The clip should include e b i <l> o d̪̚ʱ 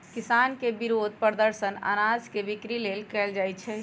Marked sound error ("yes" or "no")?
yes